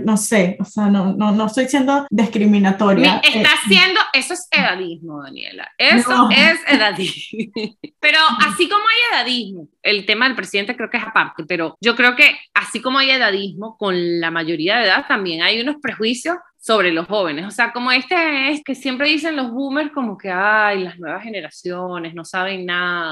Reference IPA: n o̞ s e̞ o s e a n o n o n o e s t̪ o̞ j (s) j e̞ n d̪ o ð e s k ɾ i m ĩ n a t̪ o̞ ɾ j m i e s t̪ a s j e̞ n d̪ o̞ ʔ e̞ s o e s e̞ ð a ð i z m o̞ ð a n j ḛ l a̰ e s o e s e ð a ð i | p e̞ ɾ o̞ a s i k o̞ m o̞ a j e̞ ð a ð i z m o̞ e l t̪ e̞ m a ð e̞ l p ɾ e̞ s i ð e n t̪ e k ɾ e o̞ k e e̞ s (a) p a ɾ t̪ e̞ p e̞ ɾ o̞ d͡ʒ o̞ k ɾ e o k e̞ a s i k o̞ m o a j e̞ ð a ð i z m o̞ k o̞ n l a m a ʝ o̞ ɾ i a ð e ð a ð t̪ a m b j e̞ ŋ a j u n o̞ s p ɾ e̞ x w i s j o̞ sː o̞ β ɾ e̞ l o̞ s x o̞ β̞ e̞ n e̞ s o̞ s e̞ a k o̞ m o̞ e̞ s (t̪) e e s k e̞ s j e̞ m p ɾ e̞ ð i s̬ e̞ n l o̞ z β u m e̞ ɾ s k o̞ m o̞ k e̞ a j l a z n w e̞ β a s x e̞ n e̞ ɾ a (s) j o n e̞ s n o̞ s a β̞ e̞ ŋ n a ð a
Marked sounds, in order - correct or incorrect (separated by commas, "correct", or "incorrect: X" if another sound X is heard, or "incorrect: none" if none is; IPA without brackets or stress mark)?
correct, correct, correct, correct